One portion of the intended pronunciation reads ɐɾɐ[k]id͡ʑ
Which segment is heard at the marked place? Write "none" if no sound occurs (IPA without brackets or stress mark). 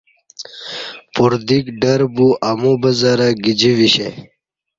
ɡ